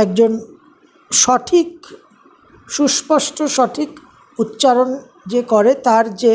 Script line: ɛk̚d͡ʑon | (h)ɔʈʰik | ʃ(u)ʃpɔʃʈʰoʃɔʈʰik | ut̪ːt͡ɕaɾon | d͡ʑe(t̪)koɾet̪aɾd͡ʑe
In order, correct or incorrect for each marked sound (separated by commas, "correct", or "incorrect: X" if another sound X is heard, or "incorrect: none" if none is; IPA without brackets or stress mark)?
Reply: incorrect: ʃ, correct, incorrect: none